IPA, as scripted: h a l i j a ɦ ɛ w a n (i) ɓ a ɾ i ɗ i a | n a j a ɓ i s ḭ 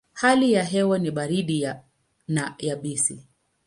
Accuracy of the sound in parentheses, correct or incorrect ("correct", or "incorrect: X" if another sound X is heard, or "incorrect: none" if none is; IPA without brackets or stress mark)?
correct